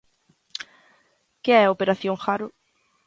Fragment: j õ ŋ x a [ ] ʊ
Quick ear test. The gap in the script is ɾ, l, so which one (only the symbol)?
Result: ɾ